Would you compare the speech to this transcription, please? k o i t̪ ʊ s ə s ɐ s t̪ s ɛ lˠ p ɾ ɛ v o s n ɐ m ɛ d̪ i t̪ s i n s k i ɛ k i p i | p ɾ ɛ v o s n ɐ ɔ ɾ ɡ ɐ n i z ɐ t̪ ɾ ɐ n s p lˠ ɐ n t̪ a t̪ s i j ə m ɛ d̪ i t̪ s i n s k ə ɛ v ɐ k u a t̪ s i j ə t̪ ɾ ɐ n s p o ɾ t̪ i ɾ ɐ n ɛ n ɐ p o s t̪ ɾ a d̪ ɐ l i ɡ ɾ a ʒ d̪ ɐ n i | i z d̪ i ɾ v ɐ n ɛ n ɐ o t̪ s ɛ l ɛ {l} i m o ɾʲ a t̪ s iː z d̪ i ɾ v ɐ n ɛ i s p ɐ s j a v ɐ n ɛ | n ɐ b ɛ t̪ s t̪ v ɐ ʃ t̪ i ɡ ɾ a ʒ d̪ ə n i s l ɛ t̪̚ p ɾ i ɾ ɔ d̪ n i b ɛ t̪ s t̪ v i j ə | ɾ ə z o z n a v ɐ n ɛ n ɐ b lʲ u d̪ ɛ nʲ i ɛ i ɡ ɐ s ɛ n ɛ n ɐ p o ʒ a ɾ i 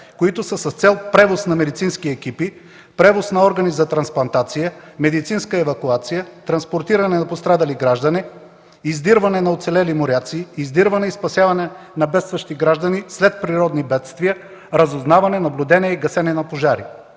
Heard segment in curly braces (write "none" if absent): l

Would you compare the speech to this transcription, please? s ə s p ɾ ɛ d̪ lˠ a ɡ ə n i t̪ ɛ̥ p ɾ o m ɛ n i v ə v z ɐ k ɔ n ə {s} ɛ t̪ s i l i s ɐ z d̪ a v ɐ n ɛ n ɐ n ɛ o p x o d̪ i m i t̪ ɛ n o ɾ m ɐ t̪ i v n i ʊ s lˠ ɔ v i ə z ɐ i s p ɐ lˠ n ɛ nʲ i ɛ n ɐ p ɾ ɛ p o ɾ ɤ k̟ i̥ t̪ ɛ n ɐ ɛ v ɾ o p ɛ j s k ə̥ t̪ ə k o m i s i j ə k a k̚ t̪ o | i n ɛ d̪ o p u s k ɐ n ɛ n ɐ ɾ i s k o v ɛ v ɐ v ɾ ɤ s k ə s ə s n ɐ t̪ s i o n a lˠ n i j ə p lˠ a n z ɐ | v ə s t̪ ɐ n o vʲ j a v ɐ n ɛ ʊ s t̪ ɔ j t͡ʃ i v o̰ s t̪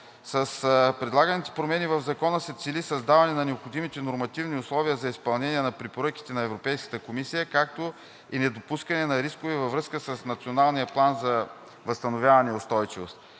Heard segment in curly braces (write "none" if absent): s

